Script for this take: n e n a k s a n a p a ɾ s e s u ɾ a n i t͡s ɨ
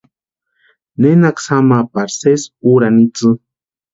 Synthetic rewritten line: n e n a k s a m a p a ɾ s e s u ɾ a n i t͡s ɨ